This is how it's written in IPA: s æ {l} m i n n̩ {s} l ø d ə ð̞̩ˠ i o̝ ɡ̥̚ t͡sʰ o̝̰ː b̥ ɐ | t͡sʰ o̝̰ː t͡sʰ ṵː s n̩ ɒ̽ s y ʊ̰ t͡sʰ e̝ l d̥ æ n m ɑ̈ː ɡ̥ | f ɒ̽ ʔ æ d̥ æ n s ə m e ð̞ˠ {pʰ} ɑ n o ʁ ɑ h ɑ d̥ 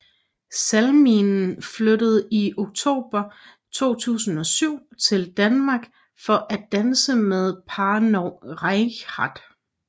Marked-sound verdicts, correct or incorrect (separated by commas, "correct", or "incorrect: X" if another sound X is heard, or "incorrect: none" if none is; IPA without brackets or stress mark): correct, incorrect: f, correct